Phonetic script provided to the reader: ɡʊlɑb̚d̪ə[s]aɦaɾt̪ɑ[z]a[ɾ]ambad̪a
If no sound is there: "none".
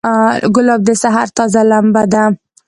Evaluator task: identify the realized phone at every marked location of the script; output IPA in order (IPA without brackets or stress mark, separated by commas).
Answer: s, z, l